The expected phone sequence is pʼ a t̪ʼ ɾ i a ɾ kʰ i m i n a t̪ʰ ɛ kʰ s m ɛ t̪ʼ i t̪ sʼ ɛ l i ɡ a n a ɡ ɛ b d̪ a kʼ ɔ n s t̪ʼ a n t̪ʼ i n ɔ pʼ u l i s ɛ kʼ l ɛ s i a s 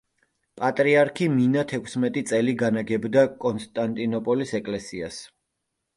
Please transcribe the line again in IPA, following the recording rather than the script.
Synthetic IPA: pʼ a t̪ʼ ɾ i a ɾ kʰ i m i n a t̪ʰ ɛ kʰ s m ɛ t̪ʼ i t̪ sʼ ɛ l i ɡ a n a ɡ ɛ b d̪ a kʼ ɔ n s t̪ʼ a n t̪ʼ i n ɔ pʼ ɔ l i s ɛ kʼ l ɛ s i a s